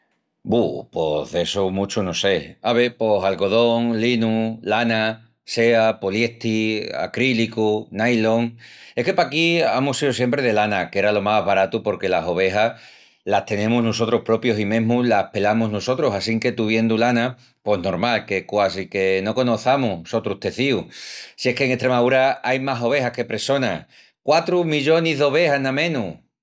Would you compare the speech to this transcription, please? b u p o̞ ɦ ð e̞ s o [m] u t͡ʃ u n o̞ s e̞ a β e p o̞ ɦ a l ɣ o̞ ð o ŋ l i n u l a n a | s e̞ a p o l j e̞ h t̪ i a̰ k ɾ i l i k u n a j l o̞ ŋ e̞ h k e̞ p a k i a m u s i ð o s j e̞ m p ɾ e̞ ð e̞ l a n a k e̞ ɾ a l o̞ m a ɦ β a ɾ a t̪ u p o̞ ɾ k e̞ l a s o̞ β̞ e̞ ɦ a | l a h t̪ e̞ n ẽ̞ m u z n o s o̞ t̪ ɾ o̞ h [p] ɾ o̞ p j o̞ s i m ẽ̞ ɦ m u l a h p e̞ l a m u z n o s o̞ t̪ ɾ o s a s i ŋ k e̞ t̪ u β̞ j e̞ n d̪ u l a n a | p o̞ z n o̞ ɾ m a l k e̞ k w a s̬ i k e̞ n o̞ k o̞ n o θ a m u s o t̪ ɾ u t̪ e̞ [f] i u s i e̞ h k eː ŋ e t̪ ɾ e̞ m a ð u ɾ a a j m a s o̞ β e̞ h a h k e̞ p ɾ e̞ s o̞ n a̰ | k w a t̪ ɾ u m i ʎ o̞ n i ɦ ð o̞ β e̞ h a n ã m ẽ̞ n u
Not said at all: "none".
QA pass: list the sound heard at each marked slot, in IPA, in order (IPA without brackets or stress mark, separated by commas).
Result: m, p, θ